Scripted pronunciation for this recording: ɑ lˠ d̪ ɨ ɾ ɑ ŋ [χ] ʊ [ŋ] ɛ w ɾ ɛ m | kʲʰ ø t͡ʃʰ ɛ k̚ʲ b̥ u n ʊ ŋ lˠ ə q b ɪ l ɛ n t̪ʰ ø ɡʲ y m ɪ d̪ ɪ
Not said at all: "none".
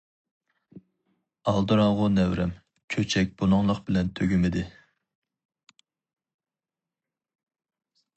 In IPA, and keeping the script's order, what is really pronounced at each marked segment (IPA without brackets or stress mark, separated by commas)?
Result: ʁ, n